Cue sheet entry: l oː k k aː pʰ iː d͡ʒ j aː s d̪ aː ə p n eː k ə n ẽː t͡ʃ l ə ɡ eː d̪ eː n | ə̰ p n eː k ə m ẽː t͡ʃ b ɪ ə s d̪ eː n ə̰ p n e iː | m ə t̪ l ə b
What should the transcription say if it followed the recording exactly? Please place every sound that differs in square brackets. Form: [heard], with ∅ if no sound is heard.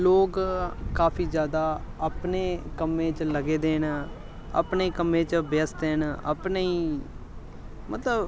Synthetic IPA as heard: l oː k k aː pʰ iː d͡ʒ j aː [∅] d̪ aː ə p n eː k ə [m] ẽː t͡ʃ l ə ɡ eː d̪ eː n | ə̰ p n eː k ə m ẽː t͡ʃ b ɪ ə s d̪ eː n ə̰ p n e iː | m ə t̪ l ə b